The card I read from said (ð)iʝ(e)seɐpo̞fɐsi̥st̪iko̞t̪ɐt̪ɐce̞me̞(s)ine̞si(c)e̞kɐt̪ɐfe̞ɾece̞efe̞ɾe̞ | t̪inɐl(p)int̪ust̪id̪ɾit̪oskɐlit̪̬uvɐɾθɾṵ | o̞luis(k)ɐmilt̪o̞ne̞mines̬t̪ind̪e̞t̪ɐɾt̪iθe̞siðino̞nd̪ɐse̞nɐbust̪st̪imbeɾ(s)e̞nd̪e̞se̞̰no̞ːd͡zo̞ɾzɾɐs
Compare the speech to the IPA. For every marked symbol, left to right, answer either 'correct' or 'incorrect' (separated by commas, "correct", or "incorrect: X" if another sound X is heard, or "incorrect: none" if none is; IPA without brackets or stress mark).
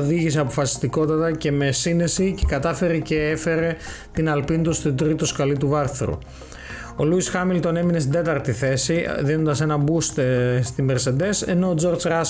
correct, incorrect: i, correct, correct, correct, incorrect: x, correct